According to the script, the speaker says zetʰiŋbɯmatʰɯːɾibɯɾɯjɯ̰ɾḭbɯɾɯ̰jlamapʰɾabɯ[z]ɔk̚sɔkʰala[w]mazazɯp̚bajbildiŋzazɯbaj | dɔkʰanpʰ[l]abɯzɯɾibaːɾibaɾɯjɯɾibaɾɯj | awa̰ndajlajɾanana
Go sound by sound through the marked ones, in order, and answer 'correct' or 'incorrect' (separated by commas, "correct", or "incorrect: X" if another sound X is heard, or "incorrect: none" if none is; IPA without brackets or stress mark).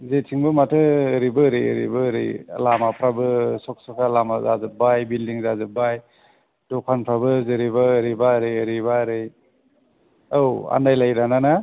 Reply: incorrect: s, incorrect: none, incorrect: ɾ